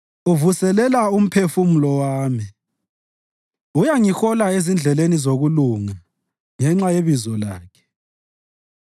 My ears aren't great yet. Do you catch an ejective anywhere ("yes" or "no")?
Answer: no